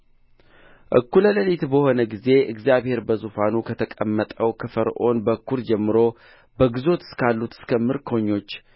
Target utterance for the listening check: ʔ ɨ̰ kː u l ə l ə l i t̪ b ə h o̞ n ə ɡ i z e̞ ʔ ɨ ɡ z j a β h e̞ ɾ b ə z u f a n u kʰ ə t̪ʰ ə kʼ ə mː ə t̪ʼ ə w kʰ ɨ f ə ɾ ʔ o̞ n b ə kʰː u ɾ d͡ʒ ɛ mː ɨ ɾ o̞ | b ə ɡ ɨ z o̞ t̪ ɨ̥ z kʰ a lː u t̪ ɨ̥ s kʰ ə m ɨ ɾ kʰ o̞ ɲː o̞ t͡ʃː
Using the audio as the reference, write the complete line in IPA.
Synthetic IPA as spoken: ʔ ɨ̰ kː u l ə l ə l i t̪ b ə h o̞ n ə ɡ i z e̞ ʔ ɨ ɡ z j a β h e̞ ɾ b ə z u f a n u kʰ ə t̪ʰ ə kʼ ə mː ə t̪ʼ ə w kʰ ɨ f ə ɾ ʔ o̞ n b ə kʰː u ɾ d͡ʒ ɛ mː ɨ ɾ o̞ | b ə ɡ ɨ z o̞ t̪ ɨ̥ s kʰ a lː u t̪ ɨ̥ s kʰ ə m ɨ ɾ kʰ o̞ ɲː o̞ t͡ʃː

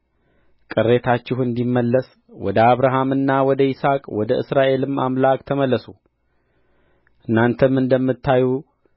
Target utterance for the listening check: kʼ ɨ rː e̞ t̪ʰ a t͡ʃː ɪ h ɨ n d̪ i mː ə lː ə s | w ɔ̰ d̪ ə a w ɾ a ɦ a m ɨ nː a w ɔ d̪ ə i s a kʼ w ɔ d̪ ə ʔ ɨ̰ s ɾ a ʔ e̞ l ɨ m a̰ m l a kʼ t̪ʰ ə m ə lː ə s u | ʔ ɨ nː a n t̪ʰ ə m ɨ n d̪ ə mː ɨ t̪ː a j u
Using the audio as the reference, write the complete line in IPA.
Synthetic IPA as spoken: kʼ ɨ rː e̞ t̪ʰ a t͡ʃː ɪ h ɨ n d̪ i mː ə lː ə s | w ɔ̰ d̪ ə a β ɾ a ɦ a m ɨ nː a w ɔ d̪ ə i s a kʼ w ɔ d̪ ə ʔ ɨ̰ s ɾ a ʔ e̞ l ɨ m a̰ m l a kʼ t̪ʰ ə m ə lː ə s u | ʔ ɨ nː a n t̪ʰ ə m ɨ n d̪ ə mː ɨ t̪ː a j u

